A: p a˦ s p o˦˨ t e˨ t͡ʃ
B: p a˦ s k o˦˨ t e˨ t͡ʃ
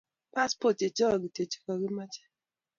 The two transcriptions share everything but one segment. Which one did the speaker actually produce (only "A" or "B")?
A